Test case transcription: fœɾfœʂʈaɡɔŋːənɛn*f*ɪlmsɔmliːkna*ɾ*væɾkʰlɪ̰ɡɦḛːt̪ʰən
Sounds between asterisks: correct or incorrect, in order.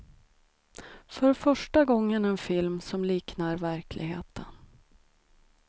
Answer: correct, correct

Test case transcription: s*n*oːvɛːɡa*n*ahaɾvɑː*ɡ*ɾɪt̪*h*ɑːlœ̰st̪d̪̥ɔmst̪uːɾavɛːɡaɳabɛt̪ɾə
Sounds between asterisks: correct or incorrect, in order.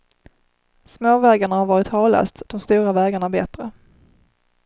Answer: incorrect, incorrect, incorrect, correct

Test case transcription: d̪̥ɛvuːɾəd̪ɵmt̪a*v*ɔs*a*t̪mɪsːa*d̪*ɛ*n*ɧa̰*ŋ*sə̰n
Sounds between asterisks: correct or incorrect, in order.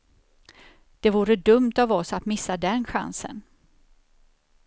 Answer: correct, correct, correct, correct, incorrect

